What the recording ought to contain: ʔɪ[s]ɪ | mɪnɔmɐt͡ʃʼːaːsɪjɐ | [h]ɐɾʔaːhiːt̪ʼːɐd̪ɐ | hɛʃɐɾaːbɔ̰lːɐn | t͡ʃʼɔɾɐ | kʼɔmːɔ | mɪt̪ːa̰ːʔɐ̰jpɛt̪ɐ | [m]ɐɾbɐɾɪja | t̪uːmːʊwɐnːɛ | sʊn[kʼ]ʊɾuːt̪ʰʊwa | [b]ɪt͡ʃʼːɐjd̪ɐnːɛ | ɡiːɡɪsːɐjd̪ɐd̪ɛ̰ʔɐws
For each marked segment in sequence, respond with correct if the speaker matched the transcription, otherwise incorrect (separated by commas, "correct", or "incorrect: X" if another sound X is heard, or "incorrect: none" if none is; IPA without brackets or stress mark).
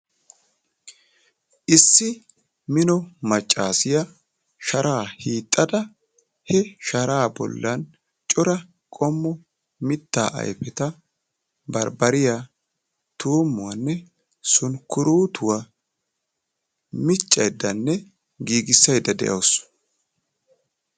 incorrect: sː, incorrect: ʃ, incorrect: b, incorrect: k, incorrect: m